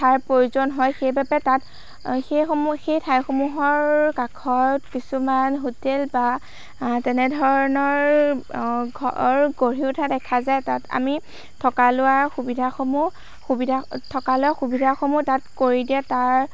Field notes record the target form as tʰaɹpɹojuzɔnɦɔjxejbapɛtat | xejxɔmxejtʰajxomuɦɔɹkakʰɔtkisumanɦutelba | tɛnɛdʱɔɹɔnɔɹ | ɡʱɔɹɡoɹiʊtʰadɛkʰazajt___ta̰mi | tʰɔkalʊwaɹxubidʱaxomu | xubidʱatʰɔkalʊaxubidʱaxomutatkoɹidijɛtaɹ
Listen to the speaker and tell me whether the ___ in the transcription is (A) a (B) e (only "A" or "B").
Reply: A